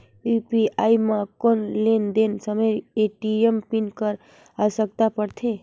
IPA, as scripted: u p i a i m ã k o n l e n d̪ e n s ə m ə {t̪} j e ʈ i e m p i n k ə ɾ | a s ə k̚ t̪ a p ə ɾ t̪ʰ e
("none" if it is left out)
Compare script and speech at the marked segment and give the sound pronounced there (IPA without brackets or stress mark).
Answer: none